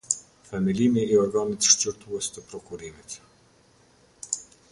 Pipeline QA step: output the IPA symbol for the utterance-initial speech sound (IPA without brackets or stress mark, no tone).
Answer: f